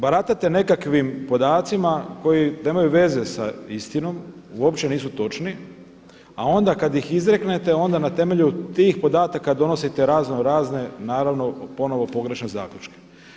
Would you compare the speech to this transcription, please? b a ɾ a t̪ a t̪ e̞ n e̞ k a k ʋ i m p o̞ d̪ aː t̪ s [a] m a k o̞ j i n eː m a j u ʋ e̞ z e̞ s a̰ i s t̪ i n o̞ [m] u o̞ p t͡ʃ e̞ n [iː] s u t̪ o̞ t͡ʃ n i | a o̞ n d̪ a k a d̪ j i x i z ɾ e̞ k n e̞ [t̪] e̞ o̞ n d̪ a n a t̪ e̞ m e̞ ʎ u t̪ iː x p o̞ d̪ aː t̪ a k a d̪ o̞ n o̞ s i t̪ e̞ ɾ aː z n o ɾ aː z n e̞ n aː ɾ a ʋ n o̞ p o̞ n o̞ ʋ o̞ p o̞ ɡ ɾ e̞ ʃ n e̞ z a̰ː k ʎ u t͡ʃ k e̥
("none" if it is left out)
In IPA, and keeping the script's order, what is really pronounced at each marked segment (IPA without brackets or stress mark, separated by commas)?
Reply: i, m, iː, t̪